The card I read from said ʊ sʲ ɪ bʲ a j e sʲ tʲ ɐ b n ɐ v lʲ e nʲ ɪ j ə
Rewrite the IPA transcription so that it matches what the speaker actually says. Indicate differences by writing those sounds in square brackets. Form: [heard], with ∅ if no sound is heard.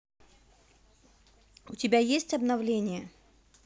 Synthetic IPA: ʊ [tʲ] ɪ bʲ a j e sʲ tʲ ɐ b n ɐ v lʲ e nʲ ɪ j ə